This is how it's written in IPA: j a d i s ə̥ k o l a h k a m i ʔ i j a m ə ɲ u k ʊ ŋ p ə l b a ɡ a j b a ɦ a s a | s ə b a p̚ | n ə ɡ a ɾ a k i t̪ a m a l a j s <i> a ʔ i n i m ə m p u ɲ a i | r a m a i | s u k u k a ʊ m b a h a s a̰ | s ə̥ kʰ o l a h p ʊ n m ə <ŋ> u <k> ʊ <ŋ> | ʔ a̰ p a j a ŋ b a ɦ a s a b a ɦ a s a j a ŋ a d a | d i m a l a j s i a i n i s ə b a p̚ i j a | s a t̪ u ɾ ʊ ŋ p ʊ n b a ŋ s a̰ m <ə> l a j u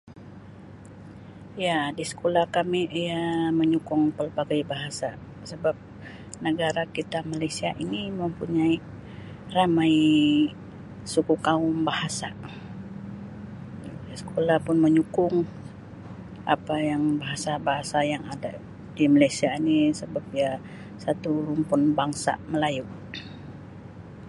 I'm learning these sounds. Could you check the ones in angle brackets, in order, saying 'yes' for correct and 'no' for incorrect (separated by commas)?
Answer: yes, no, yes, yes, yes